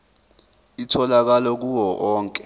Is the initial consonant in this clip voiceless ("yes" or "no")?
yes